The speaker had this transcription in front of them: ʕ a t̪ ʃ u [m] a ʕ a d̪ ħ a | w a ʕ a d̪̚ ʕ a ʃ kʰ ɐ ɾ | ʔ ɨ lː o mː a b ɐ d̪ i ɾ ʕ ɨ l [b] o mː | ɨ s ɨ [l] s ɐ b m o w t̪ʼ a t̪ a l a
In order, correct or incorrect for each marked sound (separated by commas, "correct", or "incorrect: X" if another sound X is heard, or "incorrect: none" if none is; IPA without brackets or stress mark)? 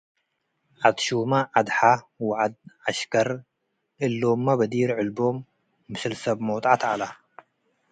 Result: correct, correct, correct